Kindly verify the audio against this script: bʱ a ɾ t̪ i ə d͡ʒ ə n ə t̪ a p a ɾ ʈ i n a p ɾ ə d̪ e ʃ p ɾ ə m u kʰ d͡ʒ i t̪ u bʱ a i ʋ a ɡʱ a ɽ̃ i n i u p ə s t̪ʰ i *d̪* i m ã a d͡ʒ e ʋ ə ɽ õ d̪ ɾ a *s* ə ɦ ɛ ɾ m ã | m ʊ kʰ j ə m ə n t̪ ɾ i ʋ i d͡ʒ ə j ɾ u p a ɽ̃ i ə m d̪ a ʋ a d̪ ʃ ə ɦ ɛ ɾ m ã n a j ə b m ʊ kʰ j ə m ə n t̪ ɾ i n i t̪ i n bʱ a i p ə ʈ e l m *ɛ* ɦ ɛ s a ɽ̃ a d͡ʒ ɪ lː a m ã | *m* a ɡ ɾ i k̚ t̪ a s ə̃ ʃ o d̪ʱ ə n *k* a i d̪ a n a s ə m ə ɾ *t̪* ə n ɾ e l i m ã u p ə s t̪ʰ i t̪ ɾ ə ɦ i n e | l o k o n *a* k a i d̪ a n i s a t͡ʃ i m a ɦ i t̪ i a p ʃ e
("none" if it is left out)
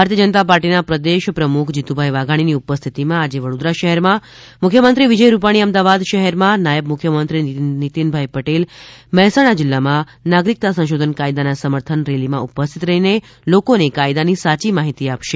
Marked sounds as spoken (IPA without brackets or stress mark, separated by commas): t̪, ʃ, ɛ, n, k, t̪ʰ, e